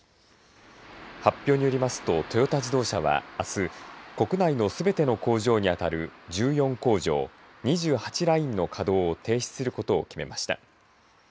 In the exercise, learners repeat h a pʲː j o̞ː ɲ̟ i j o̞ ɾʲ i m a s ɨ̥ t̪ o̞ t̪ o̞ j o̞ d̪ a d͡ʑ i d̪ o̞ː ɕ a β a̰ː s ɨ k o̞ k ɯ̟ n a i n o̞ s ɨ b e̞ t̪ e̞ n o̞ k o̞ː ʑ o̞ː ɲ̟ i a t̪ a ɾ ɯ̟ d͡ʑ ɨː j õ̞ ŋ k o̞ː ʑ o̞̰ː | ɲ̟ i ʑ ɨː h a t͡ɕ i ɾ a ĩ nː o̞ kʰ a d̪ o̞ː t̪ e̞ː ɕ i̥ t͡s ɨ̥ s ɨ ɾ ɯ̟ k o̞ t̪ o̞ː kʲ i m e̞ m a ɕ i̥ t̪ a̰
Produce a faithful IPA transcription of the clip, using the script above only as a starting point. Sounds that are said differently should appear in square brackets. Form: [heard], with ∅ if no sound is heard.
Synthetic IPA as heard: h a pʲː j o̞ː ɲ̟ i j o̞ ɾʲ i m a s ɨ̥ t̪ o̞ t̪ o̞ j o̞ [t̪] a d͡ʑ i d̪ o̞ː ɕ a β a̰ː s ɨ k o̞ k ɯ̟ n a i n o̞ s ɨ b e̞ t̪ e̞ n o̞ k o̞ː ʑ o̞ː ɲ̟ i a t̪ a ɾ ɯ̟ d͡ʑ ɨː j õ̞ ŋ k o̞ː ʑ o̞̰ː | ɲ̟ i ʑ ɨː h a t͡ɕ i ɾ a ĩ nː o̞ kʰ a d̪ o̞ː t̪ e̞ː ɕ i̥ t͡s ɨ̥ s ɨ ɾ ɯ̟ k o̞ t̪ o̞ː kʲ i m e̞ m a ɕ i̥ t̪ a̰